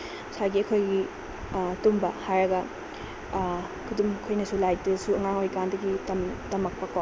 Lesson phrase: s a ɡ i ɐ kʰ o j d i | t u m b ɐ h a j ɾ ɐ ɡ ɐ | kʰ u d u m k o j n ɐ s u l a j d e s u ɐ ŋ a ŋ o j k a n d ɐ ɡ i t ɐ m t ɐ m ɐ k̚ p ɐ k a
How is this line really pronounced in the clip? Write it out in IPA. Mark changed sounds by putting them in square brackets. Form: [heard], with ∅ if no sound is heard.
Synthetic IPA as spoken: s a ɡ i ɐ kʰ o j [ɡ] i | t u m b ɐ h a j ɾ ɐ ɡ ɐ | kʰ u d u m [kʰ] o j n ɐ s u l a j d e s u ɐ ŋ a ŋ o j k a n d ɐ ɡ i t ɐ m t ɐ m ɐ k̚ p ɐ k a